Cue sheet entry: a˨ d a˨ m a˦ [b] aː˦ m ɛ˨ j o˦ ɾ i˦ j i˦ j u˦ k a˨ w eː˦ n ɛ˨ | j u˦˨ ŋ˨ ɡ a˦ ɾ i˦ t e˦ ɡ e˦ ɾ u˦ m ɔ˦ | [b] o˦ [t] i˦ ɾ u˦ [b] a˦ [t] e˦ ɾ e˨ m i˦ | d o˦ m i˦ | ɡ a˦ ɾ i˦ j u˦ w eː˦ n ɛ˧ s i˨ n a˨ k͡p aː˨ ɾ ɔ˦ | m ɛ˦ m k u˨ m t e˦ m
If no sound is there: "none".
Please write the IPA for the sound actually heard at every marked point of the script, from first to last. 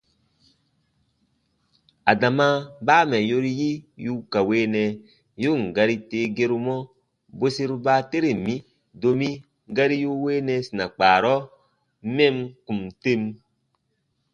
b, b, s, b, t

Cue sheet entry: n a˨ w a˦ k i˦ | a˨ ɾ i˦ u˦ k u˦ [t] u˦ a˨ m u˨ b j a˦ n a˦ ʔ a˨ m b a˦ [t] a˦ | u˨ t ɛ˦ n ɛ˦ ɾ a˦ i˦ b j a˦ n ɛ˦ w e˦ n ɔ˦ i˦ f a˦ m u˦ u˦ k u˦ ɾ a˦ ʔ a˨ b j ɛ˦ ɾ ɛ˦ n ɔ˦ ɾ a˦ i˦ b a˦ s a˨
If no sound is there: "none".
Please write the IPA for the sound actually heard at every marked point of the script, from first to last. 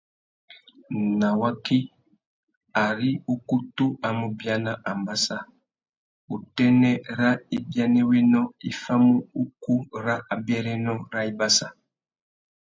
t, s

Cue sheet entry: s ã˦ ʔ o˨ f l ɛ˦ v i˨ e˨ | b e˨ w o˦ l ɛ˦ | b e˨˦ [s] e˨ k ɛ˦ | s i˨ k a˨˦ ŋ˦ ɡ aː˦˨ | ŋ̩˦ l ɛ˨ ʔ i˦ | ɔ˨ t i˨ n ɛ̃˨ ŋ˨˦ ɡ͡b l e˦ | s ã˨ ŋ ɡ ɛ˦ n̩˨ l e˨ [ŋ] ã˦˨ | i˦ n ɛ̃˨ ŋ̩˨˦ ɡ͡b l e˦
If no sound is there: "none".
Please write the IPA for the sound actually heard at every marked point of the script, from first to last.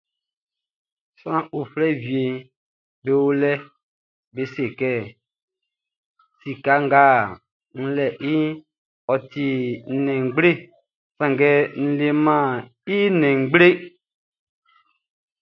s, m

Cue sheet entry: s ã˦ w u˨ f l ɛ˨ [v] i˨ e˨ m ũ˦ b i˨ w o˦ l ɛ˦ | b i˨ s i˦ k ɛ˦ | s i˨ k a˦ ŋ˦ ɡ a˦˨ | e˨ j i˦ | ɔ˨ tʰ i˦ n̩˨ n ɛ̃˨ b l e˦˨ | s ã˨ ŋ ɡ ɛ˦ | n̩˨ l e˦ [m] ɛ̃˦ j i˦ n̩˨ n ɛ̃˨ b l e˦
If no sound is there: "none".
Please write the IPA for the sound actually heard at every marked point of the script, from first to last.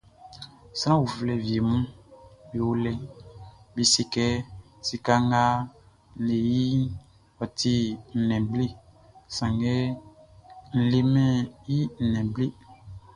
v, m

